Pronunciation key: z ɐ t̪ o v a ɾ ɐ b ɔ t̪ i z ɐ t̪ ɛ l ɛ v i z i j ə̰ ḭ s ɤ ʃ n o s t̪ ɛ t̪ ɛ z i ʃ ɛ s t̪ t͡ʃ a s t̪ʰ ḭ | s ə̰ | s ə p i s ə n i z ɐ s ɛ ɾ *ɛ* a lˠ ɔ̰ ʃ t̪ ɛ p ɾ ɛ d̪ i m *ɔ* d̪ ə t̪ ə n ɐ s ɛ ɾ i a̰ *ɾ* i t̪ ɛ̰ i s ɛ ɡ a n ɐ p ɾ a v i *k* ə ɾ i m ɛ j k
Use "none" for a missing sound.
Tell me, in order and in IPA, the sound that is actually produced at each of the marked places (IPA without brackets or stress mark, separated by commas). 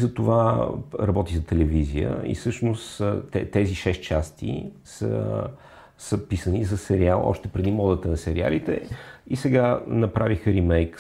i, ɔ, l, x